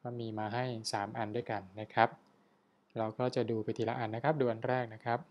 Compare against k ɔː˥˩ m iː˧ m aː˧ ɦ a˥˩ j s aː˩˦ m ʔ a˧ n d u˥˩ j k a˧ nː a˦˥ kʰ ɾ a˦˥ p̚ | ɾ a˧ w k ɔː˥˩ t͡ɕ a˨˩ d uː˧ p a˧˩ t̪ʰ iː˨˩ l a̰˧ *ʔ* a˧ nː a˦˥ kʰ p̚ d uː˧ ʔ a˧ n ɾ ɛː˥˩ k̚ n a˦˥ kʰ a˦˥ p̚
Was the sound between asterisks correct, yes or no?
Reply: yes